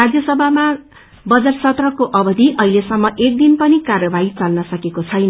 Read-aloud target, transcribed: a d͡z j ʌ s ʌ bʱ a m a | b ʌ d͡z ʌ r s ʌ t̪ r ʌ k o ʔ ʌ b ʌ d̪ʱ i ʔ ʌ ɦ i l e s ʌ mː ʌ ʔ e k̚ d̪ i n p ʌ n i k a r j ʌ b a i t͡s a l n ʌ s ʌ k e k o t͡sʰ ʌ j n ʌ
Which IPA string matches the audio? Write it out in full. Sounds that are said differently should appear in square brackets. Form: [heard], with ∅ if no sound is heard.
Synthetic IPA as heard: a d͡z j ʌ s ʌ bʱ a m a | b ʌ d͡z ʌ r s ʌ t̪ r ʌ k o ʔ ʌ b ʌ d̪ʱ i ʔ ʌ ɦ i l e s ʌ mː ʌ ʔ e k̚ d̪ i n p ʌ n i k a r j ʌ b a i t͡s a l n ʌ s ʌ k e k o t͡sʰ ʌ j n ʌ

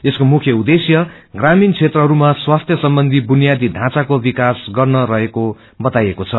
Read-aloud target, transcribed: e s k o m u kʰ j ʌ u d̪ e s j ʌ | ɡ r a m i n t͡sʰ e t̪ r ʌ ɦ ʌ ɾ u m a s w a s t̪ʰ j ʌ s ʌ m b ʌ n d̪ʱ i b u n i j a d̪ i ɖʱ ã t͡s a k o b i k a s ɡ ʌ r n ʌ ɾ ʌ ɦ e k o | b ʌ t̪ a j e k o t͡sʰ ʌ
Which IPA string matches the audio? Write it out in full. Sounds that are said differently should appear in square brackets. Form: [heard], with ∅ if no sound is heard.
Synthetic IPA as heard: e s k o m u kʰ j ʌ u d̪ e s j ʌ | ɡ r a m i n t͡sʰ e t̪ r ʌ ɦ ʌ ɾ u m a s w a s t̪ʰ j ʌ s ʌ m b ʌ n d̪ʱ i b u n i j a d̪ i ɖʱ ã t͡s a k o b i k a s ɡ ʌ r n ʌ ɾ ʌ ɦ e k o | b ʌ t̪ a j e k o t͡sʰ ʌ

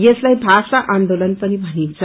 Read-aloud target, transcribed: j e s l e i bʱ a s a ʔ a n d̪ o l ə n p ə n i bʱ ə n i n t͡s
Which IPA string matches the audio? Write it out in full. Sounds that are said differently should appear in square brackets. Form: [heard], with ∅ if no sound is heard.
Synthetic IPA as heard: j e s l [a] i bʱ a s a ʔ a n d̪ o l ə n p ə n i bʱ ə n i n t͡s

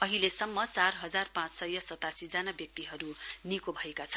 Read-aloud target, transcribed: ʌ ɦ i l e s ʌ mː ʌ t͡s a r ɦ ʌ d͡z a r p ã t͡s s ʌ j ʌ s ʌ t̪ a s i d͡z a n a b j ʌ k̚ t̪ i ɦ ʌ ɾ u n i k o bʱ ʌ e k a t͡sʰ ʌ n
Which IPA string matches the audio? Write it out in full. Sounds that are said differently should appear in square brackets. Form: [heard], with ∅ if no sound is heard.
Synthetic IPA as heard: ʌ ɦ i l e s ʌ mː ʌ t͡s a r ɦ ʌ d͡z a r p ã t͡s s ʌ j ʌ s ʌ t̪ a s i d͡z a n a b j ʌ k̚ t̪ i ɦ ʌ ɾ u n i k o bʱ ʌ e k a t͡sʰ ʌ n

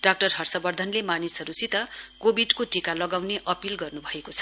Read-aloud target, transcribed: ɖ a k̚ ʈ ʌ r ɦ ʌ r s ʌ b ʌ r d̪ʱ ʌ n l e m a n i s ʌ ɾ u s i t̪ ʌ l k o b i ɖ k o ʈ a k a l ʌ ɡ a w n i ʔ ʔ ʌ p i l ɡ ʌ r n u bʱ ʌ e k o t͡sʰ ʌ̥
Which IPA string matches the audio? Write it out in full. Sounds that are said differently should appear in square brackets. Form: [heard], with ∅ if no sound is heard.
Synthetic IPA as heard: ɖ a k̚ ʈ ʌ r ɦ ʌ r s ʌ b ʌ r d̪ʱ ʌ n l e m a n i s ʌ ɾ u s i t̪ ʌ [∅] k o b i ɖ k o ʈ [i] k a l ʌ ɡ a w n [e] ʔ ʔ ʌ p i l ɡ ʌ r n u bʱ ʌ e k o t͡sʰ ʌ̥

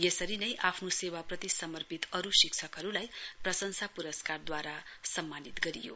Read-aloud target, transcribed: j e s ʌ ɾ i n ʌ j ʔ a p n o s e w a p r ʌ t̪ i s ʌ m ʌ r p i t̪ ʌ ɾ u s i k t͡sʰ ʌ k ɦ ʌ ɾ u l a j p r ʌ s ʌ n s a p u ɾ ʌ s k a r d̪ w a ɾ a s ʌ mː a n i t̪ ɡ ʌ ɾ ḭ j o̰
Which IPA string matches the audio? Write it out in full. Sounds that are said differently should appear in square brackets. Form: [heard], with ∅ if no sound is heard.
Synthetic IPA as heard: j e s ʌ ɾ i n ʌ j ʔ a [pʰ] n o s e w a p r ʌ t̪ i s ʌ m ʌ r p i t̪ ʌ ɾ u s i k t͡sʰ ʌ k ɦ ʌ ɾ u l a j p r ʌ s ʌ n s a p u ɾ ʌ s k a r d̪ w a ɾ a s ʌ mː a n i t̪ ɡ ʌ ɾ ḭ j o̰

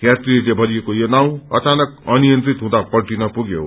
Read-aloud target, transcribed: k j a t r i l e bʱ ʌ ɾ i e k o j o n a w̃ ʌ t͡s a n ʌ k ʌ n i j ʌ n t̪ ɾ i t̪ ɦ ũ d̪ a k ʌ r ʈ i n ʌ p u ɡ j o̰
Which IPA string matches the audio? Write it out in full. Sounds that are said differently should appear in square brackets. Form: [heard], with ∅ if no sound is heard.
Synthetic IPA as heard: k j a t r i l e bʱ ʌ ɾ i e k o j o n a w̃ ʌ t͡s a n ʌ k ʌ n i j ʌ n t̪ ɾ i t̪ ɦ ũ d̪ a [p] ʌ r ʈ i n ʌ p u ɡ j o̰

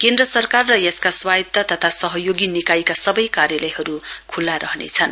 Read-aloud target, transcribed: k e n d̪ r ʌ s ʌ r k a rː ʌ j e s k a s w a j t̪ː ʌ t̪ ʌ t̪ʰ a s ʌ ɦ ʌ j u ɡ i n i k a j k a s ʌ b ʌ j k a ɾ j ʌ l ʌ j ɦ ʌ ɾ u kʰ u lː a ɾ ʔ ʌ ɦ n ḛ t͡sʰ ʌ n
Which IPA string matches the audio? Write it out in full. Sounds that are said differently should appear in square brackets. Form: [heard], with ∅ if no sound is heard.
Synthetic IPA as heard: k e n d̪ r ʌ s ʌ r k a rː ʌ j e s k a s w a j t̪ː ʌ t̪ ʌ t̪ʰ a s ʌ ɦ ʌ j [o] ɡ i n i k a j k a s ʌ b ʌ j k a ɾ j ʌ l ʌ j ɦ ʌ ɾ u kʰ u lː a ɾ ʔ ʌ ɦ n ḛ t͡sʰ ʌ n

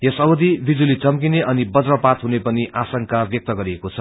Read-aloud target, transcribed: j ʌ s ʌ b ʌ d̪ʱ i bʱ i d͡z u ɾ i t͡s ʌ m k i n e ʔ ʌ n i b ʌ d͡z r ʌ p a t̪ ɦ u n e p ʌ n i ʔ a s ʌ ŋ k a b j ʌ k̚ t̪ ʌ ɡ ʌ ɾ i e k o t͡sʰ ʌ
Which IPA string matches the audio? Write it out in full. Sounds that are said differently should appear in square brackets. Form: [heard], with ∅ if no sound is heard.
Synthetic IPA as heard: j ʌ s ʌ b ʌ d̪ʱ i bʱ i d͡z u [l] i t͡s ʌ m k i n e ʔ ʌ n i b ʌ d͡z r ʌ p a t̪ ɦ u n e p ʌ n i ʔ a s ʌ ŋ k a b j ʌ k̚ t̪ ʌ ɡ ʌ ɾ i e k o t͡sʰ ʌ

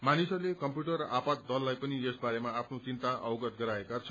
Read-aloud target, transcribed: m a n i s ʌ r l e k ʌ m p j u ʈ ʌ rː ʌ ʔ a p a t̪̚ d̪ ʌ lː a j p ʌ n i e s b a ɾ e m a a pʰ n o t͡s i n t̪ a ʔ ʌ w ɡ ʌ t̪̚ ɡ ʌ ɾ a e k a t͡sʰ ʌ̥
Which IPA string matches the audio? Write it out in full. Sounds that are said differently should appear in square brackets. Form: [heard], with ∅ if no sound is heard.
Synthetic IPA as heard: m a n i s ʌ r l e k ʌ m p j u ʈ ʌ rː ʌ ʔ a p a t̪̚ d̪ ʌ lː a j p ʌ n i e s b a ɾ e m a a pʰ n o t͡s i n t̪ a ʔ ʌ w ɡ ʌ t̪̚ ɡ ʌ ɾ a e k a t͡sʰ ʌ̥

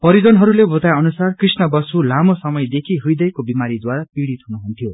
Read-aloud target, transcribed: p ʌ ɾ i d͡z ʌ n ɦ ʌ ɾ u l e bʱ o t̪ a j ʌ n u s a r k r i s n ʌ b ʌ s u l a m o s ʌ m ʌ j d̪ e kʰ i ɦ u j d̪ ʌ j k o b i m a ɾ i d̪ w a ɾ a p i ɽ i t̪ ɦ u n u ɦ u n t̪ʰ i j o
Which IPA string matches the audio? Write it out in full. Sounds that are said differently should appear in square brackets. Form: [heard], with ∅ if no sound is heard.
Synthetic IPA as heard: p ʌ ɾ i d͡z ʌ n ɦ ʌ ɾ u l e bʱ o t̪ a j ʌ n u s a r k r i s n ʌ b ʌ s u l a m o s ʌ m ʌ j d̪ e kʰ i ɦ u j d̪ ʌ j k o b i m a ɾ i d̪ w a ɾ a p i ɽ i t̪ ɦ u n u ɦ u n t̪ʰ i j o

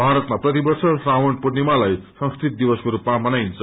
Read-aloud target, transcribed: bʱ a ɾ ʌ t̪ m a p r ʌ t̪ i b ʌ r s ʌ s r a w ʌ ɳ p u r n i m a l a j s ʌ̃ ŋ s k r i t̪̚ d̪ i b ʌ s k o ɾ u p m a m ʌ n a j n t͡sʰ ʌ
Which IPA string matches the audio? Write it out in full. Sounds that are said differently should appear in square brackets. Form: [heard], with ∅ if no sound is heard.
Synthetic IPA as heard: bʱ a ɾ ʌ t̪ m a p r ʌ t̪ i b ʌ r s ʌ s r a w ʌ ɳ p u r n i m a l a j s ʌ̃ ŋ s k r i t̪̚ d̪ i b ʌ s k o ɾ u p m a m ʌ n a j n t͡sʰ ʌ

